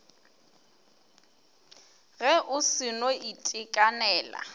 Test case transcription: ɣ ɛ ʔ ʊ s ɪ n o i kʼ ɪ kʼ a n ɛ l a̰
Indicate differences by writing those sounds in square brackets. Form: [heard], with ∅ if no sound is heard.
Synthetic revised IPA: ɣ ɛ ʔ ʊ s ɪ n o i [tʼ] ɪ kʼ a n [ɛː] l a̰